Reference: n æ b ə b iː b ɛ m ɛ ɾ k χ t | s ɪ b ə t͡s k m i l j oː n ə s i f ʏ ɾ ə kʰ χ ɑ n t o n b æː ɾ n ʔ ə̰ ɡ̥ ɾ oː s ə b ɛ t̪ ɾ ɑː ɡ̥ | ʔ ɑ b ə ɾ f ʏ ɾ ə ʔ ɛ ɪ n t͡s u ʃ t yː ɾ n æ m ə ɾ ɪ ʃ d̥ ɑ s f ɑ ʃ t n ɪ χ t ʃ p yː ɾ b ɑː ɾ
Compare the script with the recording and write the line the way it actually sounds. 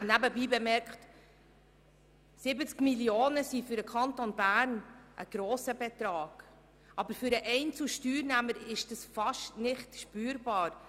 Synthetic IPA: n æ b ə b iː b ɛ m ɛ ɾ k χ t | s ɪ b ə t͡s k m i l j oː n ə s i f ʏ ɾ ə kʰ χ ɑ n t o n b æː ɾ n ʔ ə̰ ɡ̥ ɾ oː s ə b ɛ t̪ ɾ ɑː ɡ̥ | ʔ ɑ b ə ɾ f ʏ ɾ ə ʔ ɛ ɪ n t͡s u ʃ t yː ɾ n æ m ə ɾ ɪ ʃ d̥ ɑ s f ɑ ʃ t n ɪ χ t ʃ p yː ɾ b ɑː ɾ